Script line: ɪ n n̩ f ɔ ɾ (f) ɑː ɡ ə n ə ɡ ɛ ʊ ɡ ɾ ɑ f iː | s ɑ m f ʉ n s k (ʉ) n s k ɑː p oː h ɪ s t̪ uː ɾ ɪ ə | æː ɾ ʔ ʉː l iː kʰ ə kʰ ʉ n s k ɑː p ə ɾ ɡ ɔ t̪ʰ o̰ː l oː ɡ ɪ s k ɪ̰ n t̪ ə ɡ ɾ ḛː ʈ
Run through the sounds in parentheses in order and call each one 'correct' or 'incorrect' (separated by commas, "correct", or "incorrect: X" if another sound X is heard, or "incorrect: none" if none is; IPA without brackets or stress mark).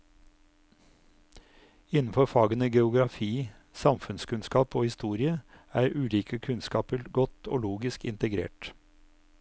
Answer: correct, correct